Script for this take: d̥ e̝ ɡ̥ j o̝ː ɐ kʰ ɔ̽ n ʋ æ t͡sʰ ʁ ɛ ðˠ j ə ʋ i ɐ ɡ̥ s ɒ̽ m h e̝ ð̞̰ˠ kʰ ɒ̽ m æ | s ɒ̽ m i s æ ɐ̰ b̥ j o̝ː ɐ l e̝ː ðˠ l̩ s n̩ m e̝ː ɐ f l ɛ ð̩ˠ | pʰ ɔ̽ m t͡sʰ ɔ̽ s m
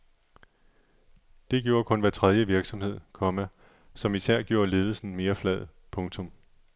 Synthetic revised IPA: d̥ e̝ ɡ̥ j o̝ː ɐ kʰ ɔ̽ n ʋ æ t͡sʰ ʁ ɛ ðˠ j ə ʋ i ɐ ɡ̥ s ɒ̽ m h e̝ ð̞̰ˠ kʰ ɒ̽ m æ | s ɒ̽ m i s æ ɐ̰ ɡ̥ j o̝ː ɐ l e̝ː ðˠ l̩ s n̩ m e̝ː ɐ f l ɛ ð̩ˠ | pʰ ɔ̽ ŋ t͡sʰ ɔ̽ m